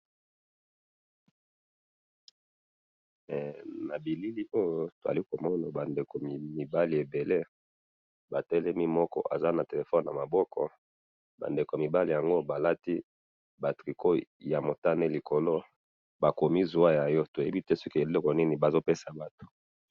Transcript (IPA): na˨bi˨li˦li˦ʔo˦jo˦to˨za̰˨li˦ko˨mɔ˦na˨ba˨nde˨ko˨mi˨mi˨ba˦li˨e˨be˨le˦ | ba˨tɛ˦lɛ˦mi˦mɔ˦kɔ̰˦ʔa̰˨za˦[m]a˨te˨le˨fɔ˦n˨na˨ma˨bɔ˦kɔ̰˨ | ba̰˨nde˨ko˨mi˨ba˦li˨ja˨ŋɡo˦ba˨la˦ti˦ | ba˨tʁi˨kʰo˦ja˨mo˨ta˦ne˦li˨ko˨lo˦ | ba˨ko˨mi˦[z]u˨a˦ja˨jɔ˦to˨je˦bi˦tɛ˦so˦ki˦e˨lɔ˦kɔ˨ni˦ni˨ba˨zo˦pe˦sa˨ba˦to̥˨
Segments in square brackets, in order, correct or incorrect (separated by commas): incorrect, correct